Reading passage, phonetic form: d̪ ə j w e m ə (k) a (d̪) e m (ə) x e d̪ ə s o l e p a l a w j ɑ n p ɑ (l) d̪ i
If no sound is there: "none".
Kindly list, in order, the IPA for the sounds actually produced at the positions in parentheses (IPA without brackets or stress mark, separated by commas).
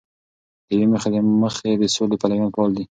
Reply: x, d̪, ə, l